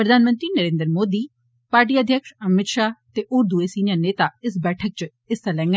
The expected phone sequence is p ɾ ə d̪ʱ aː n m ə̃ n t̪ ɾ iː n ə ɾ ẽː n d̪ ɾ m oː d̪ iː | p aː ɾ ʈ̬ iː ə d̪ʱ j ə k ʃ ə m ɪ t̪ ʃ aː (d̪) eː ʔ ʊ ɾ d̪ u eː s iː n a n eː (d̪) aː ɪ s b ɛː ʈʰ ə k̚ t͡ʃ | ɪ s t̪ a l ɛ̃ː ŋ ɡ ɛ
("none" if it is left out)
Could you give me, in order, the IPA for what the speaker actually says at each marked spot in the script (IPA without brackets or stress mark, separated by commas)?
t̪, t̪